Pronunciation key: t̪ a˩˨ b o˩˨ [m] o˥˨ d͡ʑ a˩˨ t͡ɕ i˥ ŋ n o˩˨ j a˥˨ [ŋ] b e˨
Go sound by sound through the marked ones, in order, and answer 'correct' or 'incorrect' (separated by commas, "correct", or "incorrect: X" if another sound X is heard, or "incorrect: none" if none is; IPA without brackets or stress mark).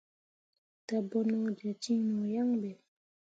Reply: incorrect: n, correct